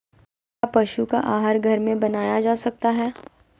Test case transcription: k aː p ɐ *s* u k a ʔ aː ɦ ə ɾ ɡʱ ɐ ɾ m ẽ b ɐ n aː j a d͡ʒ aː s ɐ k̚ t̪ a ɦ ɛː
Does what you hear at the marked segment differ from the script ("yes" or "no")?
yes